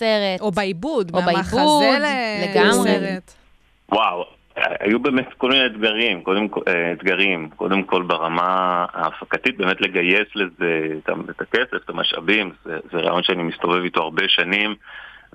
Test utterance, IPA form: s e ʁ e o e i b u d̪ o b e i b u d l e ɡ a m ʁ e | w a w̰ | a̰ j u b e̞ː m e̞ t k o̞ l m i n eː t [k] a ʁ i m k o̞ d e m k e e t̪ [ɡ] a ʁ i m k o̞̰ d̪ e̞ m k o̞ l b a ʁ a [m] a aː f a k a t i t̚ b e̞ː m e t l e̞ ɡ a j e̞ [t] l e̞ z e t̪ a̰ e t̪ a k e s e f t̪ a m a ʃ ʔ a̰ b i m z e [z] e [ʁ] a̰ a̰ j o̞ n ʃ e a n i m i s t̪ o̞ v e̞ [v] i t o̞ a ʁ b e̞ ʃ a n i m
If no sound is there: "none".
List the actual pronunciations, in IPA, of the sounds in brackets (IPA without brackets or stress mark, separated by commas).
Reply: ɡ, ɡ, m, s, z, ʁ, v